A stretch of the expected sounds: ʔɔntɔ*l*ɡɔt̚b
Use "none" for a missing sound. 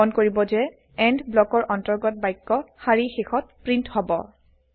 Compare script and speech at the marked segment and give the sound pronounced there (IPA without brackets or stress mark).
ɹ